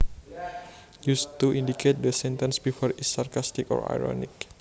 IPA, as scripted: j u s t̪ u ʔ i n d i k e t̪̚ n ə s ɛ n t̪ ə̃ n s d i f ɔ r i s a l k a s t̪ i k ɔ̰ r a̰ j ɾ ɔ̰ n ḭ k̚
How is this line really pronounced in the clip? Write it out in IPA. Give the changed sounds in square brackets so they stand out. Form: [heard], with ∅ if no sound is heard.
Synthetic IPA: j u s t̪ u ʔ i n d i k e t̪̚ [d] ə s ɛ n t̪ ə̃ n s [b] i f ɔ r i s a [r] k a s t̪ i k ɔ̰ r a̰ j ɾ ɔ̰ n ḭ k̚